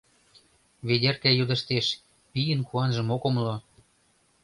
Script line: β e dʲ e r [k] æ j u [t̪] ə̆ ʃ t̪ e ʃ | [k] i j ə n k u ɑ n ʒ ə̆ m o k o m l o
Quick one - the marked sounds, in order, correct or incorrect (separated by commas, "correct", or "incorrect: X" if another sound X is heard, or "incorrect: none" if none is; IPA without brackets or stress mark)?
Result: correct, incorrect: d̪, incorrect: p